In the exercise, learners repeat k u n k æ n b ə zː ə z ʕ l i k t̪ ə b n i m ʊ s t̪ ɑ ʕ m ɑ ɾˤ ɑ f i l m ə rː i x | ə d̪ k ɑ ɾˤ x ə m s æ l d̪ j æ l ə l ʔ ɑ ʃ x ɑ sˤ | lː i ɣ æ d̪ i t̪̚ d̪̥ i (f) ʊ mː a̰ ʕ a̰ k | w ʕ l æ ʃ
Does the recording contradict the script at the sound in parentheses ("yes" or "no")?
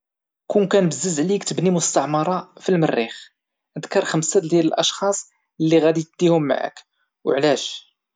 yes